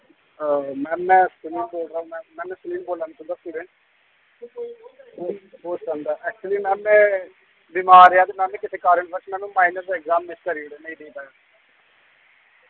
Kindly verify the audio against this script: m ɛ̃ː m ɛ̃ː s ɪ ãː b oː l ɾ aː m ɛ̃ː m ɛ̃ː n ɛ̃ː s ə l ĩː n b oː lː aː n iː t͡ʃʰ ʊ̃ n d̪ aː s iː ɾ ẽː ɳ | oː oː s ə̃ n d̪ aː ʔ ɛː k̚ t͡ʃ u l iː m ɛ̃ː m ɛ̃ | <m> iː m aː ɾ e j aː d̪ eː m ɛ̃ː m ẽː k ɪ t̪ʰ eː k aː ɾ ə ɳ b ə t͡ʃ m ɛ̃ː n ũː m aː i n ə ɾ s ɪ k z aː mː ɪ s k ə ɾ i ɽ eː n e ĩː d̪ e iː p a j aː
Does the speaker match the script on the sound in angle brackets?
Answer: no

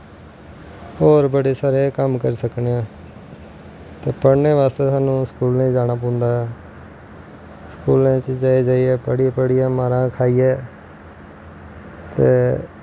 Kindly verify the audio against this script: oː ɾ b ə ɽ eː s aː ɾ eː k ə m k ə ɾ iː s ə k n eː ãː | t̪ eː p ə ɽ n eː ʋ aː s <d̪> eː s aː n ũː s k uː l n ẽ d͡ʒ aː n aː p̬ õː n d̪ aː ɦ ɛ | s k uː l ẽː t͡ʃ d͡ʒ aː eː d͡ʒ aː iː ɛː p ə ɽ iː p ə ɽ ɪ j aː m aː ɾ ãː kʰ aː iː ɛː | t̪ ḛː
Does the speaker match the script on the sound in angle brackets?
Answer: no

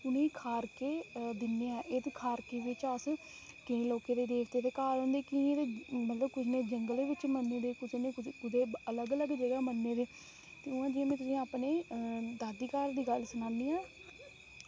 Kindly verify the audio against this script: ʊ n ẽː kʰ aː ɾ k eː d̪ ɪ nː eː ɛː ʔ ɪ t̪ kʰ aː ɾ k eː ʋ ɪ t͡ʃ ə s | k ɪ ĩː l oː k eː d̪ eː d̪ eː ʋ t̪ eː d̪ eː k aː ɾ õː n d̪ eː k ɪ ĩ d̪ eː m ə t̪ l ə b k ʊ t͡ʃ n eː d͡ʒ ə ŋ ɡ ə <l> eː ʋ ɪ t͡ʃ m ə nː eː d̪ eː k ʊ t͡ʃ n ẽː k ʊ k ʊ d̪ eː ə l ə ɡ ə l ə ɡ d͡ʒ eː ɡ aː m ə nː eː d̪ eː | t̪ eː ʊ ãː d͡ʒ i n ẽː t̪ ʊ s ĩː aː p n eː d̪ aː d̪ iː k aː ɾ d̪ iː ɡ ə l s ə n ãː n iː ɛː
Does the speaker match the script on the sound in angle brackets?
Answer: yes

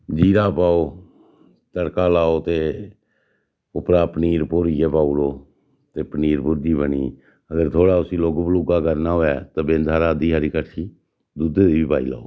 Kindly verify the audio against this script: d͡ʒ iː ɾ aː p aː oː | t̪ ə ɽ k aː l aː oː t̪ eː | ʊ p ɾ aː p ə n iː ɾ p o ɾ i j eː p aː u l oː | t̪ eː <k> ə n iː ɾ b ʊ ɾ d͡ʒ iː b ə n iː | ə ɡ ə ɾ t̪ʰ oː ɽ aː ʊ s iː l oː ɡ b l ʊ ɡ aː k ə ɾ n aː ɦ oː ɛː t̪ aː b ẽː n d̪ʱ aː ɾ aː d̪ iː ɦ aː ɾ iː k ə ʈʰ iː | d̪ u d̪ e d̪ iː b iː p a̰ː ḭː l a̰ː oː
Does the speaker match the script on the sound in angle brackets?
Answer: no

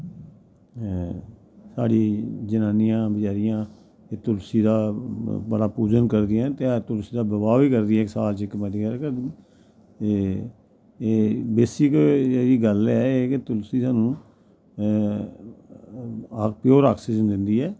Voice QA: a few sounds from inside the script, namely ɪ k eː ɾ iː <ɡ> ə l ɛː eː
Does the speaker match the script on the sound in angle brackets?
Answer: yes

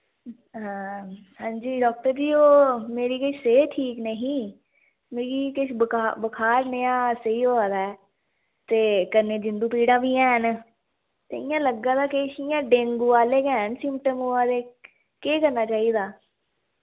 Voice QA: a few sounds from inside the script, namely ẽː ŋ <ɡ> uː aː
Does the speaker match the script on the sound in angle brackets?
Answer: yes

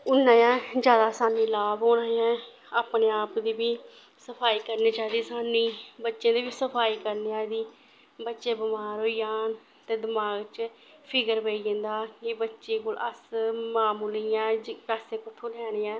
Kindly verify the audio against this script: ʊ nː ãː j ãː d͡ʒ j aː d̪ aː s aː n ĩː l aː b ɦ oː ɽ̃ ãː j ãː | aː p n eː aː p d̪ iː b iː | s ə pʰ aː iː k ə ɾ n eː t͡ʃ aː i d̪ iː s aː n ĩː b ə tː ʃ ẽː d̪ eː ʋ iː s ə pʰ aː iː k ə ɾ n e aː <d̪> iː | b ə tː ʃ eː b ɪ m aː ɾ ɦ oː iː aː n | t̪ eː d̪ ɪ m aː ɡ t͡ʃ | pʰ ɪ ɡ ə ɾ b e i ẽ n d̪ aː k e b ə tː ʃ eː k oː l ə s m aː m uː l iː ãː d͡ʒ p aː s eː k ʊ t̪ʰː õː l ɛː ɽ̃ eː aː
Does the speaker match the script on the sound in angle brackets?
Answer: yes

